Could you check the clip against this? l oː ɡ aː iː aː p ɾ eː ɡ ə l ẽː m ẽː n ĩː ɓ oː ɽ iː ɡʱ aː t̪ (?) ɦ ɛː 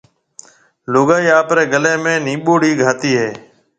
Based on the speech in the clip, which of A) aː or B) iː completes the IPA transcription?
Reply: B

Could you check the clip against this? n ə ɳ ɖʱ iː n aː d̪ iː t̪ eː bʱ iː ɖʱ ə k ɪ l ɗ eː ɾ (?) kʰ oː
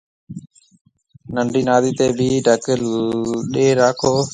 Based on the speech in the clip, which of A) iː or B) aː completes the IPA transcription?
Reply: B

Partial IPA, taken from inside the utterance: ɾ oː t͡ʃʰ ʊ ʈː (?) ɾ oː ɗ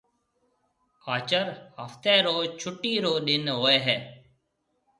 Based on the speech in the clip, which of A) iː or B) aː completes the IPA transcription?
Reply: A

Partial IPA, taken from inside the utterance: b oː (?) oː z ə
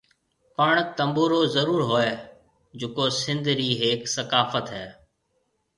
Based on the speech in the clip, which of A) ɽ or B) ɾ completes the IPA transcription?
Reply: B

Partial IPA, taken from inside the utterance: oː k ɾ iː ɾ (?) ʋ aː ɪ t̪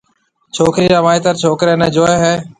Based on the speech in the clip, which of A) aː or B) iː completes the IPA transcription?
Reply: A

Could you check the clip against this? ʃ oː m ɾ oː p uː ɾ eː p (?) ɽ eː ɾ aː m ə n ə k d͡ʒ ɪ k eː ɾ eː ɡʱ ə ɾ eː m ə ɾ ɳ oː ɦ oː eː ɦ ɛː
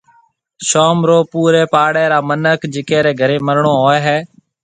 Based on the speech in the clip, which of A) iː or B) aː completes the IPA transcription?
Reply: B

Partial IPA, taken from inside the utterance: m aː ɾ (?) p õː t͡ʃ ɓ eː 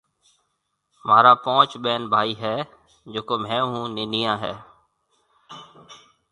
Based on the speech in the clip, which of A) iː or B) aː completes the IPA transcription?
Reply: B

